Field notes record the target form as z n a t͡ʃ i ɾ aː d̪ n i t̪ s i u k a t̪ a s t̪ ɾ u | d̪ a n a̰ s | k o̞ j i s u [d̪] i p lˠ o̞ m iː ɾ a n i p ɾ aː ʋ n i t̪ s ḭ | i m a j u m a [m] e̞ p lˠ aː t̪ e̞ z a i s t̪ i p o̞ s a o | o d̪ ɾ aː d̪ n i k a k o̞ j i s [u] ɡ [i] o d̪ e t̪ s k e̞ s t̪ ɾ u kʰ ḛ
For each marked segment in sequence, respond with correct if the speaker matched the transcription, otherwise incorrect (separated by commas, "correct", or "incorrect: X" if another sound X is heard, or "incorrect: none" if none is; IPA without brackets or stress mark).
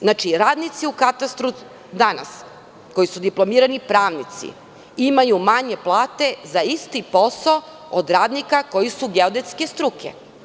correct, incorrect: ɲ, correct, incorrect: e